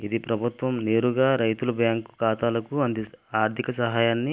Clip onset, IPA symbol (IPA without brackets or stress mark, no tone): i